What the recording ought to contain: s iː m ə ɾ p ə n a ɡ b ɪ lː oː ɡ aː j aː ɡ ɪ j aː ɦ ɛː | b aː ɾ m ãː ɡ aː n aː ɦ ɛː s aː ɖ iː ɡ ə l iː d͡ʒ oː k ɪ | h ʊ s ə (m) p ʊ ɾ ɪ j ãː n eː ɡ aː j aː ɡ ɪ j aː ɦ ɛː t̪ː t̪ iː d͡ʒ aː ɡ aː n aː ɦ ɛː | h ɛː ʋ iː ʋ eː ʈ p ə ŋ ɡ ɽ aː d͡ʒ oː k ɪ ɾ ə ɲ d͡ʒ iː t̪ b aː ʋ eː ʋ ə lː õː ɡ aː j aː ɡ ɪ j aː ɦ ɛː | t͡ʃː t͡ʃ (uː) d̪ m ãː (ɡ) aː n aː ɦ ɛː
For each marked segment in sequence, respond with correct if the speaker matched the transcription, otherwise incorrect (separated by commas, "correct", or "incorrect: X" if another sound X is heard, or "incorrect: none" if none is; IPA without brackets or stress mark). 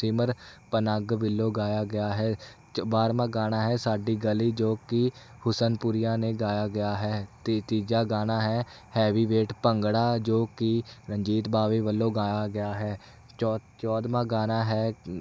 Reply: incorrect: n, incorrect: ɔː, correct